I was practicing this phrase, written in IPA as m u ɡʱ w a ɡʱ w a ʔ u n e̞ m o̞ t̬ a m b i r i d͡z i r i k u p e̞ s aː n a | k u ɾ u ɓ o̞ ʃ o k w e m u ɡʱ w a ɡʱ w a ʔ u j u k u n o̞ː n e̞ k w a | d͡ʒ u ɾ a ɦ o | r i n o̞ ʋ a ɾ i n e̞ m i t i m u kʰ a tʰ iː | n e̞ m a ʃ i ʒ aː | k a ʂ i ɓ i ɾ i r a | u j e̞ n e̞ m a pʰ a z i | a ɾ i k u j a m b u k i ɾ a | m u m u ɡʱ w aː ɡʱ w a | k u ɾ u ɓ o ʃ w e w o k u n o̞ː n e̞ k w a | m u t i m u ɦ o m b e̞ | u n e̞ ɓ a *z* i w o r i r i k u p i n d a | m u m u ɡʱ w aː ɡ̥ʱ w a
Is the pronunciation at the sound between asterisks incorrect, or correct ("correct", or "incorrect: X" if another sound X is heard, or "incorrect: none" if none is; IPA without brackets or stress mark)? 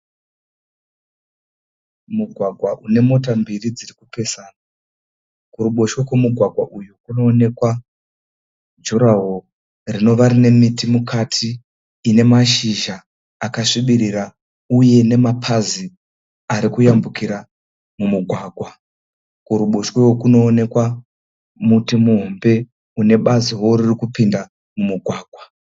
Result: correct